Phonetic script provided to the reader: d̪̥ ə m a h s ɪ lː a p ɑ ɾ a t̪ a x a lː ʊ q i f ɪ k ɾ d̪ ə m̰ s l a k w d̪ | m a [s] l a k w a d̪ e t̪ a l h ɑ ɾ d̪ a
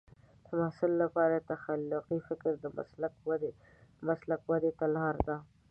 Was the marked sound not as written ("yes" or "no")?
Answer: no